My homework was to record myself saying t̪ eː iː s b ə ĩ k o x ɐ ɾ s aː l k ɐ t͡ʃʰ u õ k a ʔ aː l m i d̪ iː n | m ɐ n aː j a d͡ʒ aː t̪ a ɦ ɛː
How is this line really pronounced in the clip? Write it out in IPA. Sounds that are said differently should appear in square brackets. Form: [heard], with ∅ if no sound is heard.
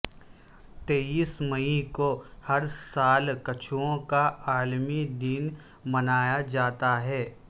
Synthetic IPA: t̪ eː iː s [m] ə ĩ k o [h] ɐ ɾ s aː l k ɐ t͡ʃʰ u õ k a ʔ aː l m i d̪ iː n | m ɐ n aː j a d͡ʒ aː t̪ a ɦ ɛː